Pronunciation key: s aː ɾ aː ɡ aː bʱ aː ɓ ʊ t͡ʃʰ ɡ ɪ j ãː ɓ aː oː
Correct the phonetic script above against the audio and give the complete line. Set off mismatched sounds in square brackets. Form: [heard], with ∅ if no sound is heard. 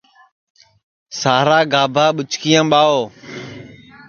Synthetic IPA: s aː ɾ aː ɡ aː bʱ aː ɓ ʊ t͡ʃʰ [k] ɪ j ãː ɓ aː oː